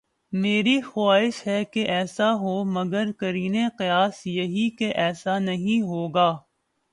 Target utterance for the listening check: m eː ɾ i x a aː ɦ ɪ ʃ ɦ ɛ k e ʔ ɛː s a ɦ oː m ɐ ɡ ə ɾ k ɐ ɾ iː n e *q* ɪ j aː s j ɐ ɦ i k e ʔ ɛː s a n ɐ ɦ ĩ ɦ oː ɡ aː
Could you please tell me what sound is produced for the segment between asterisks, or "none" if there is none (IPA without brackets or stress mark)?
q